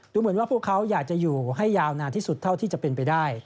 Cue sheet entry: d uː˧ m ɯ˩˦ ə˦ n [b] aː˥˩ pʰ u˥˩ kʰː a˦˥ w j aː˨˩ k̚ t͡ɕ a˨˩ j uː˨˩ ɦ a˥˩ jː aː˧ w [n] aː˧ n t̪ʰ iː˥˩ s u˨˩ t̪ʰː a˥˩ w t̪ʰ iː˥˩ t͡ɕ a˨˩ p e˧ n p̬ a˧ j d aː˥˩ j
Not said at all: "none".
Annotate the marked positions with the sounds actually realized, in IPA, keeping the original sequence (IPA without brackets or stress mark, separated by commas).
w, n